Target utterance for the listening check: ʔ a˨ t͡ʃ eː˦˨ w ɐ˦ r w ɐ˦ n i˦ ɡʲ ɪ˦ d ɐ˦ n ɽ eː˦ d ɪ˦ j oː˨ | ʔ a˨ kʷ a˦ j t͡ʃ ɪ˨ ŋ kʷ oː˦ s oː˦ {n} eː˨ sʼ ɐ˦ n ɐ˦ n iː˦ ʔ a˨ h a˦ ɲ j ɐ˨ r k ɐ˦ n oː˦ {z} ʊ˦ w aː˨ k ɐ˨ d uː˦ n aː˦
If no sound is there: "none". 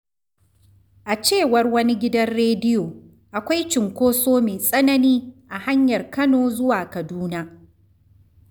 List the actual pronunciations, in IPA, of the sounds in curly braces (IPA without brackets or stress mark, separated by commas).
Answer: m, z